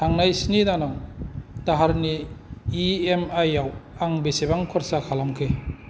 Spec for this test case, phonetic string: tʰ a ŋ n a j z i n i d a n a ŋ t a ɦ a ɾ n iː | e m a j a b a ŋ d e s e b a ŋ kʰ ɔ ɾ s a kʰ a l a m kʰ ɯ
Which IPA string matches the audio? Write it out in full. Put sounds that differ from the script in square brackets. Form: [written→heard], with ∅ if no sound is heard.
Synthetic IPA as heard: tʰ a ŋ n a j [z→s] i n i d a n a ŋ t a ɦ a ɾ n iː | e m a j a [b→w] a ŋ [d→b] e s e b a ŋ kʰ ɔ ɾ s a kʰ a l a m kʰ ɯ

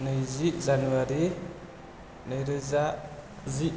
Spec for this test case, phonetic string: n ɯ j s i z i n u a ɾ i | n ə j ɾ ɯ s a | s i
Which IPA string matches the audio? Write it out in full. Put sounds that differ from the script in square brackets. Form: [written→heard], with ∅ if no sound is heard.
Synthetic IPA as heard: n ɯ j [s→z] i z [i→a] n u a ɾ i | n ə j ɾ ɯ [s→z] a | [s→z] i

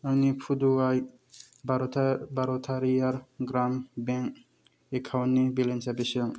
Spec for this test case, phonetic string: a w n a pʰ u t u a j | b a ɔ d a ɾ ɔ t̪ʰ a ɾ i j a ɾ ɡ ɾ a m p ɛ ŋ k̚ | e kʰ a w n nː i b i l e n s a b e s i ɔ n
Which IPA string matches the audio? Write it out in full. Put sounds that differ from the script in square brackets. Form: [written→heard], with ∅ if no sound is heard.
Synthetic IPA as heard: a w n [a→i] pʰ u [t→d] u a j | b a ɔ [d→b] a ɾ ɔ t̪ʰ a ɾ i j a ɾ ɡ ɾ a m [p→b] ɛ ŋ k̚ | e kʰ a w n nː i b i l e n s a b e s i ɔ [n→ŋ]

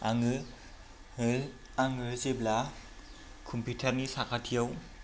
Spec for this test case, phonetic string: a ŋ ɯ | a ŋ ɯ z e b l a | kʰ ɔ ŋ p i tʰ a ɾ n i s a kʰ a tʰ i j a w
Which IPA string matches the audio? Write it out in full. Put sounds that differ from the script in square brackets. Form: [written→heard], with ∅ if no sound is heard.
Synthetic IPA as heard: a ŋ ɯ | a ŋ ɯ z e b l a | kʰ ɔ [ŋ→m] p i tʰ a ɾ n i s a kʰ a tʰ i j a w

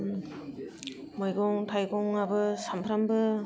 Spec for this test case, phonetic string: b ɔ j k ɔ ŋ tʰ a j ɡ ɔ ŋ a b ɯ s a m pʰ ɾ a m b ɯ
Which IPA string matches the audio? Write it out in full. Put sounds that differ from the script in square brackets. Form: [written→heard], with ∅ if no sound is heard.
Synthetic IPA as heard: [b→m] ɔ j [k→ɡ] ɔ ŋ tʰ a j ɡ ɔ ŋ a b ɯ s a m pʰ ɾ a m b ɯ

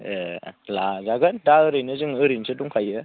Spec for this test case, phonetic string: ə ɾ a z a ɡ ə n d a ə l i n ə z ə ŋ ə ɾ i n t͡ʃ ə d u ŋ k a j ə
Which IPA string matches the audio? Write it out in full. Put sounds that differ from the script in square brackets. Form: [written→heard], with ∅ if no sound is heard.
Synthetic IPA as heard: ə [ɾ→l] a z a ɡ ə n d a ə [l→ɾ] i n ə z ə ŋ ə ɾ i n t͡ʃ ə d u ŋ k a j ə

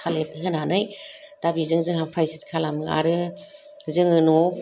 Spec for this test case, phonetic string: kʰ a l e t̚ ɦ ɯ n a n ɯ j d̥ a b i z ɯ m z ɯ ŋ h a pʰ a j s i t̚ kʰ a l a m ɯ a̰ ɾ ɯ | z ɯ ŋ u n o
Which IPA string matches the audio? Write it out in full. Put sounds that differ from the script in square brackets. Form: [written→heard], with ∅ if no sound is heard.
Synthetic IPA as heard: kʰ a l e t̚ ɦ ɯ n a n ɯ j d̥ a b i z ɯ [m→ŋ] z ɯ ŋ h a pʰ a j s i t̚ kʰ a l a m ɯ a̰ ɾ ɯ | z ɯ ŋ [u→ɯ] n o

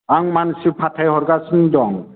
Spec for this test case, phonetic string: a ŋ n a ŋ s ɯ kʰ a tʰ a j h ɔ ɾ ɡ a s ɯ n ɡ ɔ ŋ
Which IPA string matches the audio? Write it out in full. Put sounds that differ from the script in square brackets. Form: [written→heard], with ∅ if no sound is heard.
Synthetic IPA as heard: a ŋ [n→m] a [ŋ→n] s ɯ [kʰ→pʰ] a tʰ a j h ɔ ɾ ɡ a s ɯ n [ɡ→d] ɔ ŋ

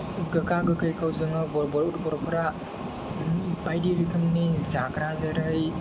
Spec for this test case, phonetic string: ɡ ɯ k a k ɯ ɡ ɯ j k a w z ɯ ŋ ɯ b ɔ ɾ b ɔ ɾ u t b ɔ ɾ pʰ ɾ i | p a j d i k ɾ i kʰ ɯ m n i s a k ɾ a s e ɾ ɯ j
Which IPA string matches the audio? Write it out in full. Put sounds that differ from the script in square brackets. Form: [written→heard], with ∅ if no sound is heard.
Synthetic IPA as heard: ɡ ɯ k a [k→ɡ] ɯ [ɡ→k] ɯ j k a w z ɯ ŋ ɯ b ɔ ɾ b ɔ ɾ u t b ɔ ɾ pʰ ɾ [i→a] | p a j d i [k→∅] ɾ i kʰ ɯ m n i [s→z] a k ɾ a [s→z] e ɾ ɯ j

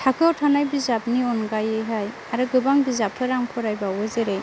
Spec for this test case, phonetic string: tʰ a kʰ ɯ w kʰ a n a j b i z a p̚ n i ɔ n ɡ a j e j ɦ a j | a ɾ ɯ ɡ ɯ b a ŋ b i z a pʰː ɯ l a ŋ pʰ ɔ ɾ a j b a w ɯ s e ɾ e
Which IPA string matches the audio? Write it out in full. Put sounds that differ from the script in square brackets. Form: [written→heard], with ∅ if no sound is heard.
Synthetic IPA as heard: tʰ a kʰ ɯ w [kʰ→tʰ] a n a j b i z a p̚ n i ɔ n ɡ a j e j ɦ a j | a ɾ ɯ ɡ ɯ b a ŋ b i z a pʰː ɯ [l→ɾ] a ŋ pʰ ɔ ɾ a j b a w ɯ [s→z] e ɾ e

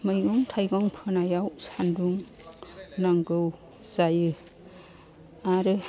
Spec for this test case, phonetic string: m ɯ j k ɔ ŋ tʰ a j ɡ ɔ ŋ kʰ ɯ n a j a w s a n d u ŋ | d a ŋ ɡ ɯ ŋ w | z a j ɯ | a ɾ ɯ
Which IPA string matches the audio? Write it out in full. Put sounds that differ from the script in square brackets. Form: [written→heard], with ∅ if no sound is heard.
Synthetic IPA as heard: m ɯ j [k→ɡ] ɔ ŋ tʰ a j ɡ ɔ ŋ [kʰ→pʰ] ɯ n a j a w s a n d u ŋ | [d→n] a ŋ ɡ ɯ [ŋ→∅] w | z a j ɯ | a ɾ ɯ

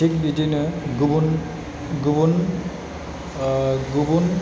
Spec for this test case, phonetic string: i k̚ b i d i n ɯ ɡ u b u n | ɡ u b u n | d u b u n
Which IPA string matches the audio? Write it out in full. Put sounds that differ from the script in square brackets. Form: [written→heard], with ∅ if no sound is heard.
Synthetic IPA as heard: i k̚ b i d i n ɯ ɡ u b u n | ɡ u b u n | [d→ɡ] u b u n

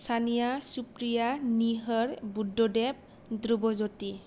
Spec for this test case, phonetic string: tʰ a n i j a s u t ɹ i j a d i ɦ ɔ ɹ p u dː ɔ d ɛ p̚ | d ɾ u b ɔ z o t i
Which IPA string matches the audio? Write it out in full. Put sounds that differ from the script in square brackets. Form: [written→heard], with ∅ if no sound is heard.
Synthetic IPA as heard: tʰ a n i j a s u [t→p] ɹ i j a [d→n] i ɦ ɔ ɹ [p→b] u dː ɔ d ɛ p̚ | d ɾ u b ɔ z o t i

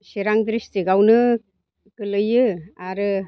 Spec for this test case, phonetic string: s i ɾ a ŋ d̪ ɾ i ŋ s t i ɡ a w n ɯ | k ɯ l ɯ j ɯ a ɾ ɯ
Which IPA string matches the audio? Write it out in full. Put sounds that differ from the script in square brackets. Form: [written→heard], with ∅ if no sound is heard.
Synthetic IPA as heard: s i ɾ a ŋ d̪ ɾ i [ŋ→∅] s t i ɡ a w n ɯ | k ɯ l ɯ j ɯ a ɾ ɯ

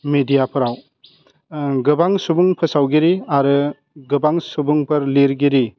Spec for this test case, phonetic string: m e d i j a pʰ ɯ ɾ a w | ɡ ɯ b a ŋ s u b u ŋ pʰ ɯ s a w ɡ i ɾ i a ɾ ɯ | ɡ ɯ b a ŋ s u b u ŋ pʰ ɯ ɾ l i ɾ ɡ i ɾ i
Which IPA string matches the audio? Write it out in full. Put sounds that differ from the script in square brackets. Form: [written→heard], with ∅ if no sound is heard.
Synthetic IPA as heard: m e d i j a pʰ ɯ ɾ a w | ɡ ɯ b a ŋ s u b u ŋ pʰ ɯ s a w ɡ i ɾ i a ɾ ɯ | ɡ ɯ b a ŋ s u b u ŋ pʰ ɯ ɾ l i ɾ ɡ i ɾ i

